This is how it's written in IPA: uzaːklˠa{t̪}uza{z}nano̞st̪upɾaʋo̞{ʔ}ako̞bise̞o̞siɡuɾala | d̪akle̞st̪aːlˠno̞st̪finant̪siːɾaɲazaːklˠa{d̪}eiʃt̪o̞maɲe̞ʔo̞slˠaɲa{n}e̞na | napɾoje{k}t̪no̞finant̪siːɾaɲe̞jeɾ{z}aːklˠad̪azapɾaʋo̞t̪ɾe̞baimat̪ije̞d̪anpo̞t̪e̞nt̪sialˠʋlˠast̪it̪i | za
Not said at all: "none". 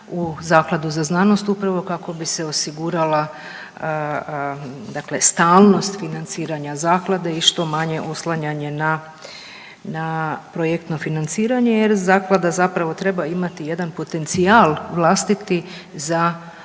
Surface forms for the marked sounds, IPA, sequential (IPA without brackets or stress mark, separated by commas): d̪, z, k, d̪, ɲ, k, z